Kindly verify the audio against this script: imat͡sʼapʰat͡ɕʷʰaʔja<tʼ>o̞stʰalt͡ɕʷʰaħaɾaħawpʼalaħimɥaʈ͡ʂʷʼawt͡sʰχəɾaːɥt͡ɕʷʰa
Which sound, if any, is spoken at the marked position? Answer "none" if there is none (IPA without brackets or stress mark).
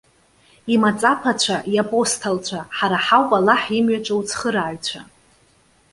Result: pʼ